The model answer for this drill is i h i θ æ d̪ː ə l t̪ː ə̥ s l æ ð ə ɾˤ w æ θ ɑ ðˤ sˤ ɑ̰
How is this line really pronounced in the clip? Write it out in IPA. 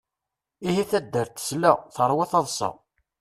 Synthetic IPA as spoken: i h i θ æ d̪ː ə ɾ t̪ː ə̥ s l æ θ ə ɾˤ w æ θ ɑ ðˤ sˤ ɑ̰

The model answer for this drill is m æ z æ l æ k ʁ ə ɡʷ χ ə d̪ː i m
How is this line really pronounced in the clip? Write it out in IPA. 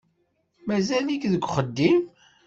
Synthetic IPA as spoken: m æ z æ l i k ð ə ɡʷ χ ə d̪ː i m

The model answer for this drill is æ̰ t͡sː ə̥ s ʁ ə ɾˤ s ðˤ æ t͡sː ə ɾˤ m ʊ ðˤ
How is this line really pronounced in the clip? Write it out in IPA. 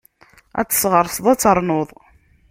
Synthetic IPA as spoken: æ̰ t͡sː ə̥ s ʁ ə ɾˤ s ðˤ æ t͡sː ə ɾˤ n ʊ ðˤ

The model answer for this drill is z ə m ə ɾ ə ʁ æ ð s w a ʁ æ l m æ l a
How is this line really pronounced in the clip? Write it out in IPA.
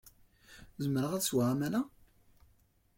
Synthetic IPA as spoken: z ə m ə ɾ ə ʁ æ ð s w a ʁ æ m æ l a

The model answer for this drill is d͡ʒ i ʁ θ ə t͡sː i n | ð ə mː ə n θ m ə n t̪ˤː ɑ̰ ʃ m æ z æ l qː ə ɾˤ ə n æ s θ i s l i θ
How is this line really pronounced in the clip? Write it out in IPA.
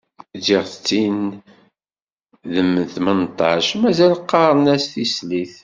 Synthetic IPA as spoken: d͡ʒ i ʁ θ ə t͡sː i n | ð ə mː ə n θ m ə n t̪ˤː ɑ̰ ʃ m æ z æ l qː ɑ ɾˤ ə n æ s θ i s l i θ

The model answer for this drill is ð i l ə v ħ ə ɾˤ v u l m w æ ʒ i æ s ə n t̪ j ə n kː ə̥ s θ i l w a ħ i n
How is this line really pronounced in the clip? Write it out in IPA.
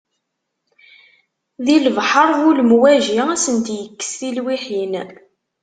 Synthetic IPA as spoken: ð i l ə v ħ ə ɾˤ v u l m w æ ʒ i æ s ə n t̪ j ə kː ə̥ s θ i l w i ħ i n

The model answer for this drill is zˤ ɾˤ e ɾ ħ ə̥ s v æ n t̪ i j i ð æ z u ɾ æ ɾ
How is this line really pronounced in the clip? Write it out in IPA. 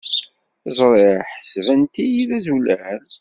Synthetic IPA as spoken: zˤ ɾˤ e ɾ ħ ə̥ s v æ n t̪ i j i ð æ z u l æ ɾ

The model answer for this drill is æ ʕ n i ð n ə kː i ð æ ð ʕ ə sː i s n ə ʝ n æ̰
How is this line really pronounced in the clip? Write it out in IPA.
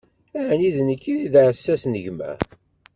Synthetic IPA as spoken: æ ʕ n i ð n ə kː i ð i ð ʕ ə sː æ s n ə ʝ m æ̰

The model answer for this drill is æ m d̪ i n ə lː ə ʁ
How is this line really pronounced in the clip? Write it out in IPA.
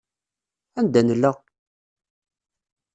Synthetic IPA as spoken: æ n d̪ æ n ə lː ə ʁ

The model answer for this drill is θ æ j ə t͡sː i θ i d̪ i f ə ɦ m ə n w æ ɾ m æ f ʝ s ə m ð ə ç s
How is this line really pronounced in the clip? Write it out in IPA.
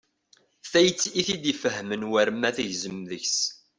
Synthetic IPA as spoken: θ æ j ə t͡sː i θ i d̪ i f ə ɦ m ə n w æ ɾ m æ θ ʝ z ə m ð ə ç s

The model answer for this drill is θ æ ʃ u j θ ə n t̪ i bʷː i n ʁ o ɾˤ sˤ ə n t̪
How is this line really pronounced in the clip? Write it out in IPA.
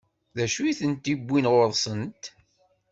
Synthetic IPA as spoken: ð æ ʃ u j θ ə n t̪ i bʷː i n ʁ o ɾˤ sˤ ə n t̪

